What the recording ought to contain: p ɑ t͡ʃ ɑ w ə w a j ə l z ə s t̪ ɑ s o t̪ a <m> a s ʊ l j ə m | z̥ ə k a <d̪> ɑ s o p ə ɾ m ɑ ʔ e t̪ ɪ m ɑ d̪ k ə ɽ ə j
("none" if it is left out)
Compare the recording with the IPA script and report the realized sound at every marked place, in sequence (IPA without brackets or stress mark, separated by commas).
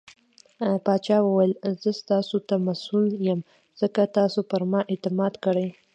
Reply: m, t̪